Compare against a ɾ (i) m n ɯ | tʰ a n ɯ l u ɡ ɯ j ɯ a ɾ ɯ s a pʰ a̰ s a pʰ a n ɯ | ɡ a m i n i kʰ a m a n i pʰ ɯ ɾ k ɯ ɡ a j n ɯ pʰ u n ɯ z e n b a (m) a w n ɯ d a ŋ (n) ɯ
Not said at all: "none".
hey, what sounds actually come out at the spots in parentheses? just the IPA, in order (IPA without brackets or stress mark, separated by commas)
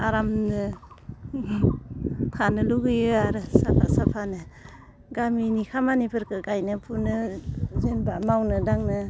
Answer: a, m, n